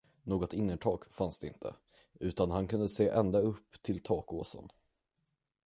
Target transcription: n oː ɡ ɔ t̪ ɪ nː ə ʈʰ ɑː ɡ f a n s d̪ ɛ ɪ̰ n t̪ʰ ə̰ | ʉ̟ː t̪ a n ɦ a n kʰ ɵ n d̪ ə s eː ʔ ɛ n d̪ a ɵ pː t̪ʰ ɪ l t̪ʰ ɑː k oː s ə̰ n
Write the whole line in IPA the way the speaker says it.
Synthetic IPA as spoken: n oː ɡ ɔ t̪ ɪ nː ə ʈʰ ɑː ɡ f a n s d̪ ɛ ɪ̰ n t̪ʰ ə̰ | ʉ̟ː t̪ a n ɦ a n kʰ ɵ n d̪ ə s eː ʔ ɛ n d̪ a ɵ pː t̪ʰ ɪ l t̪ʰ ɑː k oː s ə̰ n